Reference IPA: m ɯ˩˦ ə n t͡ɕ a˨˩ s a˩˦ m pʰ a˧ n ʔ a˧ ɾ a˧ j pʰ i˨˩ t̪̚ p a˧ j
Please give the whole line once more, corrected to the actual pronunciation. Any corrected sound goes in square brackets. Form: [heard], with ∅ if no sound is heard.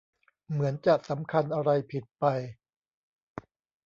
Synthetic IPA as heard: m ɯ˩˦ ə n t͡ɕ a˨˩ s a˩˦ m [kʰ] a˧ n ʔ a˧ ɾ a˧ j pʰ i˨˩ t̪̚ p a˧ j